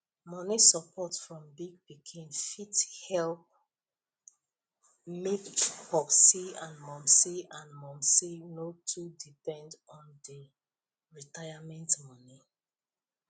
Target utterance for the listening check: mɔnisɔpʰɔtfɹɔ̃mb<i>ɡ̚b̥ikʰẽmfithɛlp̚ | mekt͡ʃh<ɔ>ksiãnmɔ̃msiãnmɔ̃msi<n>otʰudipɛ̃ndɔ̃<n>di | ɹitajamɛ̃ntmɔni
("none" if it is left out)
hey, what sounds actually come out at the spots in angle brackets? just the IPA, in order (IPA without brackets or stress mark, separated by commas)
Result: i, ɔ, n, n